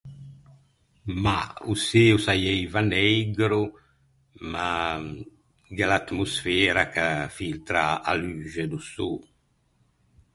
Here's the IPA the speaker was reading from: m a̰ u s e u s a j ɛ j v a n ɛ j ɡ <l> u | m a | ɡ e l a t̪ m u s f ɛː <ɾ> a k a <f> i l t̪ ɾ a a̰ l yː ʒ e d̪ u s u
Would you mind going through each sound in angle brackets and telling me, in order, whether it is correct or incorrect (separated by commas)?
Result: incorrect, correct, correct